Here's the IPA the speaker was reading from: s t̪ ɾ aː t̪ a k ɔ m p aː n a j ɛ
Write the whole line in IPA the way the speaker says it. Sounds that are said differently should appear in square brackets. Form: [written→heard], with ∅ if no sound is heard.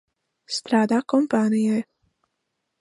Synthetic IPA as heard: s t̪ ɾ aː [t̪→d̪] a k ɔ m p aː n [a→i] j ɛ

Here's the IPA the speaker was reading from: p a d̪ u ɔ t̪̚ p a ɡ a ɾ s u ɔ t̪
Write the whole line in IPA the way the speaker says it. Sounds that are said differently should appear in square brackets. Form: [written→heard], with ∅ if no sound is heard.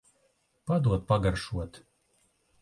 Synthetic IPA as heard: p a d̪ u ɔ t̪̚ p a ɡ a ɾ [s→ʃ] u ɔ t̪

